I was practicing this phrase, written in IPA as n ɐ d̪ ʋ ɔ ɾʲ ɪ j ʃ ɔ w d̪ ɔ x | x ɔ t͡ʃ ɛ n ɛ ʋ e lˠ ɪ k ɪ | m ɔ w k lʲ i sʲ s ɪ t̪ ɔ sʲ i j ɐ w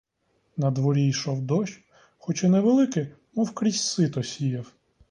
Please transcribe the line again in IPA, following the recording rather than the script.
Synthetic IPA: n ɐ d̪ ʋ ɔ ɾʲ i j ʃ ɔ w d̪ ɔ ʃ | x ɔ t͡ʃ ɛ n ɛ ʋ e lˠ ɪ k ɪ | m ɔ w k ɾʲ i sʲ s ɪ t̪ ɔ sʲ i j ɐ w

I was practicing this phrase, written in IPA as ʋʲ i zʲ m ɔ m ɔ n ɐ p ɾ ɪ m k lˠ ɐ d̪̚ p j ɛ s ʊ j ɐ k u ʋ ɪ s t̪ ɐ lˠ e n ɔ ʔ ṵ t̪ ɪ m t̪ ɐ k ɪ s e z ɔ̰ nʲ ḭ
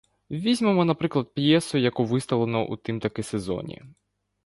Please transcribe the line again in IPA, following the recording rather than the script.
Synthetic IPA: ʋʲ i zʲ m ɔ m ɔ n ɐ p ɾ ɪ k lˠ ɐ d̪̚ p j ɛ s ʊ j ɐ k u ʋ ɪ s t̪ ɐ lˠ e n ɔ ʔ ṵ t̪ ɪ m t̪ ɐ k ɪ s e z ɔ̰ nʲ ḭ

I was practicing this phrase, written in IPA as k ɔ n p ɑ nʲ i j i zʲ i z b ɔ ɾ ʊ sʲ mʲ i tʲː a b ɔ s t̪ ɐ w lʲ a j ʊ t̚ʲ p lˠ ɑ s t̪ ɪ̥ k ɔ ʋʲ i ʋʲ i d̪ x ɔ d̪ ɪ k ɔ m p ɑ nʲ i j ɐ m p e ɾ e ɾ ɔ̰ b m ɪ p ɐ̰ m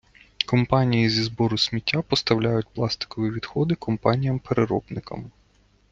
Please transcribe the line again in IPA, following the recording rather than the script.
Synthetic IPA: k ɔ m p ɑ nʲ i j i zʲ i z b ɔ ɾ ʊ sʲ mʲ i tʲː a p ɔ s t̪ ɐ w lʲ a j ʊ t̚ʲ p lˠ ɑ s t̪ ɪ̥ k ɔ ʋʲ i ʋʲ i d̪ x ɔ d̪ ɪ k ɔ m p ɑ nʲ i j ɐ m p e ɾ e ɾ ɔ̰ b n ɪ k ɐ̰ m

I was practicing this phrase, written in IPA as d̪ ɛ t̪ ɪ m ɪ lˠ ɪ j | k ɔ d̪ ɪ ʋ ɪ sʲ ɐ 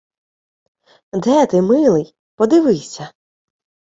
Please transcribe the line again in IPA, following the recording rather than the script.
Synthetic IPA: d̪ ɛ t̪ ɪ m ɪ lˠ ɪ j | p ɔ d̪ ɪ ʋ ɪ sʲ ɐ

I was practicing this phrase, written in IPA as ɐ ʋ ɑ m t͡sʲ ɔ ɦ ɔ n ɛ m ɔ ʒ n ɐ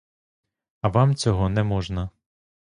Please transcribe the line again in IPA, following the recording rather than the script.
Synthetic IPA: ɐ ʋ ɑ m t͡sʲ ɔ ɦ ɔ n ɛ m ɔ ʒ n ɐ

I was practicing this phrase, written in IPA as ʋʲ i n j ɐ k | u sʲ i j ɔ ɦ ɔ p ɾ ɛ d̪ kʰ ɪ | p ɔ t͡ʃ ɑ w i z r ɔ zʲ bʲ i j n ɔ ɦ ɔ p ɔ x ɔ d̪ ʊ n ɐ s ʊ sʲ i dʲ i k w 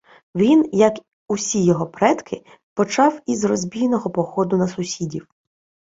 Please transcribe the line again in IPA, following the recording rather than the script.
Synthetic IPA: ʋʲ i n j ɐ k | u sʲ i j ɔ ɦ ɔ p ɾ ɛ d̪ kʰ ɪ | p ɔ t͡ʃ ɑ w i z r ɔ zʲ bʲ i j n ɔ ɦ ɔ p ɔ x ɔ d̪ ʊ n ɐ s ʊ sʲ i dʲ i w

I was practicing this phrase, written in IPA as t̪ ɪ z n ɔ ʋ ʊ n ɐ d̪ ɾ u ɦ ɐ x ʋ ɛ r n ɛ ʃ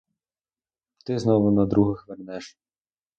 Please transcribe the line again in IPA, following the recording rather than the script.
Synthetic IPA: t̪ ɪ z n ɔ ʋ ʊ n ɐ d̪ ɾ u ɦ ɐ x ʋ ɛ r n ɛ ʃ

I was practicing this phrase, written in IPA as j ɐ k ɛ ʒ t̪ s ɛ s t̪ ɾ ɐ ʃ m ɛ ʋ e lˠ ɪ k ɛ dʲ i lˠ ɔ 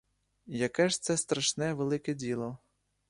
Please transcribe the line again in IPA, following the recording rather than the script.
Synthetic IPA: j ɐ k ɛ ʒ t̪ s ɛ s t̪ ɾ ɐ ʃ n ɛ ʋ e lˠ ɪ k ɛ dʲ i lˠ ɔ

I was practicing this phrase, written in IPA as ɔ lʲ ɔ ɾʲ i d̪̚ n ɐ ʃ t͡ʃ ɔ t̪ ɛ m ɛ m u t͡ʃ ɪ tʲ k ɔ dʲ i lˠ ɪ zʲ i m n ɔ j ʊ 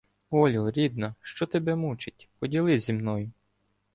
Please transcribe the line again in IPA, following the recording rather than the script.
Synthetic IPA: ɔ lʲ ɔ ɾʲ i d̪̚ n ɐ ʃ t͡ʃ ɔ t̪ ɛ b ɛ m u t͡ʃ ɪ tʲ p ɔ dʲ i lˠ ɪ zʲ i m n ɔ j ʊ

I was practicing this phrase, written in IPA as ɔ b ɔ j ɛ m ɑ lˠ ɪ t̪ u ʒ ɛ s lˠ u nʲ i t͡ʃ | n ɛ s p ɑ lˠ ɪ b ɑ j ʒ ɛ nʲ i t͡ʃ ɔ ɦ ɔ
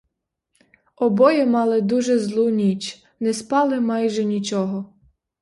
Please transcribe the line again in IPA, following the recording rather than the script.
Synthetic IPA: ɔ b ɔ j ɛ m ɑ lˠ ɪ d̪ u ʒ ɛ z lˠ u nʲ i t͡ʃ | n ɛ s p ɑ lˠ ɪ m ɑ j ʒ ɛ nʲ i t͡ʃ ɔ ɦ ɔ

